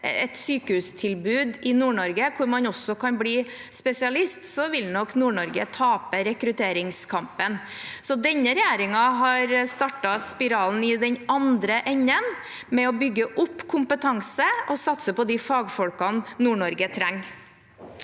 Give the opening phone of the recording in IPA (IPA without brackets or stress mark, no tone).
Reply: ɛ